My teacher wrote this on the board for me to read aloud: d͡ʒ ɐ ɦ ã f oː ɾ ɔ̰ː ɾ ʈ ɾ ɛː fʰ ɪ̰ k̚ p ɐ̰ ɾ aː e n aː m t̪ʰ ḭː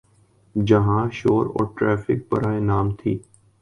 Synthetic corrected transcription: d͡ʒ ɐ ɦ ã ʃ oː ɾ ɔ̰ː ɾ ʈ ɾ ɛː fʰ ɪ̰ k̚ p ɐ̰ ɾ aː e n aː m t̪ʰ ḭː